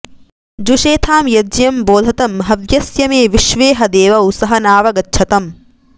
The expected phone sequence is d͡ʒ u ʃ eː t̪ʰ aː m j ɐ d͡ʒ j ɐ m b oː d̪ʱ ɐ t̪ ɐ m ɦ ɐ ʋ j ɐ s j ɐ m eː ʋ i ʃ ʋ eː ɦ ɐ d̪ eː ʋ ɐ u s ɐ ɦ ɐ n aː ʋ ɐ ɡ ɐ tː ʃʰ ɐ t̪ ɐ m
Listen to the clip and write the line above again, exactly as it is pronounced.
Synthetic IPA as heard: d͡ʒ u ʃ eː t̪ʰ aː m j ɐ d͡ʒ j ɐ m b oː d̪ʱ ɐ t̪ ɐ m ɦ ɐ ʋ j ɐ s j ɐ m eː ʋ i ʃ ʋ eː ɦ ɐ d̪ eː ʋ ɐ u s ɐ ɦ ɐ n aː ʋ ɐ ɡ ɐ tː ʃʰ ɐ t̪ ɐ m